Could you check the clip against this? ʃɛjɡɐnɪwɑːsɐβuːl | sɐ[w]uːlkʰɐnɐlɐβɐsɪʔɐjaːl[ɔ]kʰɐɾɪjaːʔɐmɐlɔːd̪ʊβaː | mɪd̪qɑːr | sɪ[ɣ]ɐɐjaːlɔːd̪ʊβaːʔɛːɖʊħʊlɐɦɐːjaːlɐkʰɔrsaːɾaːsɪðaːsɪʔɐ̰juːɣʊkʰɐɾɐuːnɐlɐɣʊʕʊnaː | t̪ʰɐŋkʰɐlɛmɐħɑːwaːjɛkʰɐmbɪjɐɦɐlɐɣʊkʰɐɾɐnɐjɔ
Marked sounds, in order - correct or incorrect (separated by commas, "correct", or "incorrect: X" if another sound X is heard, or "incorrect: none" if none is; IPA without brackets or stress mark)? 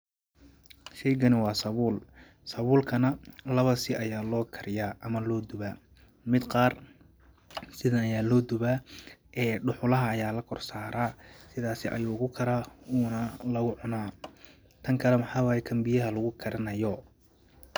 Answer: incorrect: β, incorrect: ɔː, incorrect: ð